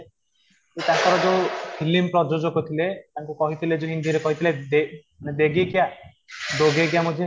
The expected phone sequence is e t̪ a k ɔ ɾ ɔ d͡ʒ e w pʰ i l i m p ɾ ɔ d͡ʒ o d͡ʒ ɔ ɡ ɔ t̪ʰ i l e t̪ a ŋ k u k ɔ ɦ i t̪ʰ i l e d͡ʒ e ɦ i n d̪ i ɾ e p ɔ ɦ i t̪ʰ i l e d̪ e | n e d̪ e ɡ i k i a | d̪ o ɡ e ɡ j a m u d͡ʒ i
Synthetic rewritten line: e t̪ a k ɔ ɾ ɔ d͡ʒ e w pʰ i l i m p ɾ ɔ d͡ʒ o d͡ʒ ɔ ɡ ɔ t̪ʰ i l e t̪ a ŋ k u k ɔ ɦ i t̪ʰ i l e d͡ʒ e ɦ i n d̪ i ɾ e k ɔ ɦ i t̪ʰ i l e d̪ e | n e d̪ e ɡ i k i a | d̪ o ɡ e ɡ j a m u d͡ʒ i